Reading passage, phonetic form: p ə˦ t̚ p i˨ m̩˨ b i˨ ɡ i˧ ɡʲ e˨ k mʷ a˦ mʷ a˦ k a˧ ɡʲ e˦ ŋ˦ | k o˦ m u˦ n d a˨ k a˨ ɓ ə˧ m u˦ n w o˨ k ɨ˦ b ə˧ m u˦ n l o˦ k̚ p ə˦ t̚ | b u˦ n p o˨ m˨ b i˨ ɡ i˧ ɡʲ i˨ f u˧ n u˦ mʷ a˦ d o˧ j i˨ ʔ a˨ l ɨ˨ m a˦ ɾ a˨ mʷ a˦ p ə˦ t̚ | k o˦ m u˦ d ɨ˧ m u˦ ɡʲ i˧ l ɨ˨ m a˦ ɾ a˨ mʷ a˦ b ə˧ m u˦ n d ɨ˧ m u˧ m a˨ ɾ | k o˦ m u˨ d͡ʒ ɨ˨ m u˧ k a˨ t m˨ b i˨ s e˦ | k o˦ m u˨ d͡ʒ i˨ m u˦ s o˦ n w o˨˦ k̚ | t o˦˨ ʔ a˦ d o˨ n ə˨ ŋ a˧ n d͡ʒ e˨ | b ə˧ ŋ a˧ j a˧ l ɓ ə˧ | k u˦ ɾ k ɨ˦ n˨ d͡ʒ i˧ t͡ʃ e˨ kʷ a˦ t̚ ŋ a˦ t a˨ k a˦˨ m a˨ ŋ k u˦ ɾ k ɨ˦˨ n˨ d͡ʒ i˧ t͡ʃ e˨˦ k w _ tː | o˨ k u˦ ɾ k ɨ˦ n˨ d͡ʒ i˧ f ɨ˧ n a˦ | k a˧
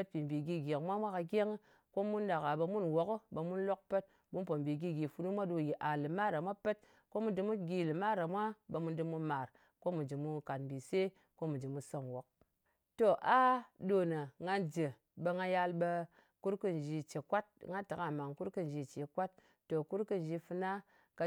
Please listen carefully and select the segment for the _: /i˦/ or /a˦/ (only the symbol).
a˦